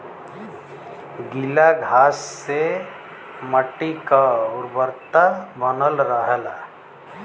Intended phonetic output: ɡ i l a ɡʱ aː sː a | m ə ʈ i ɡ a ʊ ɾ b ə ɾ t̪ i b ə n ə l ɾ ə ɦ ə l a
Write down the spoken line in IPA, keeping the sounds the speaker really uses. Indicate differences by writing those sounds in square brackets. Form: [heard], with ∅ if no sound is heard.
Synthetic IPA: ɡ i l a ɡʱ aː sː [e] | m ə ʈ i [k] a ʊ ɾ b ə ɾ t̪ [a] b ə n ə l ɾ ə ɦ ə l a